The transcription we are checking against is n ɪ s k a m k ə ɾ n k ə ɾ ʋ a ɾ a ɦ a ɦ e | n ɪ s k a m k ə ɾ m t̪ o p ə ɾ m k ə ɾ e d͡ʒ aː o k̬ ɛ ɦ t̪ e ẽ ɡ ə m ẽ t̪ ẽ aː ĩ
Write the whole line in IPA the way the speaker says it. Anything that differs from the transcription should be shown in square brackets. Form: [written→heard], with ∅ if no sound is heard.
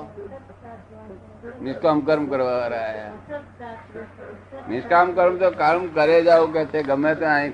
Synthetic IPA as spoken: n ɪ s k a m k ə ɾ [n→m] k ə ɾ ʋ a ɾ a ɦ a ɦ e | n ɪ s k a m k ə ɾ m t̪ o [p→k] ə ɾ m k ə ɾ e d͡ʒ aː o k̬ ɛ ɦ t̪ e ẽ ɡ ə m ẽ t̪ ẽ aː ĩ